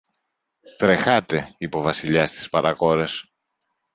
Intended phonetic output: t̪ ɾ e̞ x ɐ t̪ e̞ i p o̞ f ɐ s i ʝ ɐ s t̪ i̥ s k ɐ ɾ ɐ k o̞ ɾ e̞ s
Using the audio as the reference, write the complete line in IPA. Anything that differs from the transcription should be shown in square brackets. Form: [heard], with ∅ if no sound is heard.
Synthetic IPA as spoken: t̪ ɾ e̞ x ɐ t̪ e̞ i p o̞ [v] ɐ s i [ʎ] ɐ s t̪ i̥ s [p] ɐ ɾ ɐ k o̞ ɾ e̞ s